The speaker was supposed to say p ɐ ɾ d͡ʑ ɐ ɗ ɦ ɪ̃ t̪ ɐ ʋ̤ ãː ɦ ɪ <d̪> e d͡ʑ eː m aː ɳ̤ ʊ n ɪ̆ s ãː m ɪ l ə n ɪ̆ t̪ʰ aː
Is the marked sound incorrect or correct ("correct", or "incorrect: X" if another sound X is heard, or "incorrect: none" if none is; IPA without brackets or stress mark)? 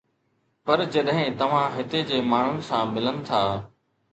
incorrect: t̪